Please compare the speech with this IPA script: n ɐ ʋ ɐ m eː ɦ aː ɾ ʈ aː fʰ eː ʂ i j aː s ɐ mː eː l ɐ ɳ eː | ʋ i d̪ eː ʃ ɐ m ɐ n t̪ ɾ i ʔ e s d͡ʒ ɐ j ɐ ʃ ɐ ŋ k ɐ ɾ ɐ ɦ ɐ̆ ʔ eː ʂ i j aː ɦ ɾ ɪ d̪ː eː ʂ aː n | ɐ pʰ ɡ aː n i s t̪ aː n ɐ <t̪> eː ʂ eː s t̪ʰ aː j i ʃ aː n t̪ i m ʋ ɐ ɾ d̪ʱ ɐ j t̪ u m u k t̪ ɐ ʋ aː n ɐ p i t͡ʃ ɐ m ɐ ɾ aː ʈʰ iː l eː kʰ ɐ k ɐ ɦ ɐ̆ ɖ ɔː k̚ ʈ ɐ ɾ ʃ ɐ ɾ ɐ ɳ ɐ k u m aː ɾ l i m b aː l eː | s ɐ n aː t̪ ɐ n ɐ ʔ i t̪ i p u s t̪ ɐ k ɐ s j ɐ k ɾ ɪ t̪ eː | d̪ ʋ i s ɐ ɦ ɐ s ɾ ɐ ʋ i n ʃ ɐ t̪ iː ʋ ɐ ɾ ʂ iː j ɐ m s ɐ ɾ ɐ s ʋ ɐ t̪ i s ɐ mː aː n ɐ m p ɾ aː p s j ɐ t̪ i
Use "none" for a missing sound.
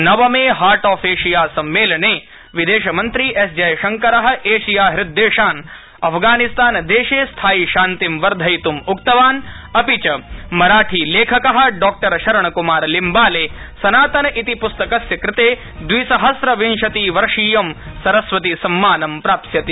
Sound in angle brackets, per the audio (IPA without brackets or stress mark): d̪